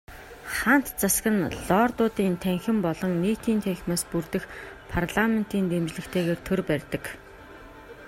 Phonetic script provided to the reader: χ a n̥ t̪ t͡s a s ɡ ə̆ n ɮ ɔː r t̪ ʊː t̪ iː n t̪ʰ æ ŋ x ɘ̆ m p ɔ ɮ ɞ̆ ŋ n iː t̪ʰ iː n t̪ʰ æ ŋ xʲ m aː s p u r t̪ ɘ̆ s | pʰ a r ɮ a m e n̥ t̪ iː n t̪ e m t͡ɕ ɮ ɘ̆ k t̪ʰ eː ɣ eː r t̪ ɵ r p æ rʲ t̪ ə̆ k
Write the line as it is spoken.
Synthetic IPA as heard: χ a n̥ t̪ t͡s a s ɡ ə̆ n ɮ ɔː r t̪ ʊː t̪ iː n t̪ʰ æ ŋ x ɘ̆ m p ɔ ɮ ɞ̆ ŋ n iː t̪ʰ iː n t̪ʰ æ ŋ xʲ m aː s p u r t̪ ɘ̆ x | pʰ a r ɮ a m e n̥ t̪ iː n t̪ e m t͡ɕ ɮ ɘ̆ k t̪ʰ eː ɣ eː r t̪ʰ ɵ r p æ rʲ t̪ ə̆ k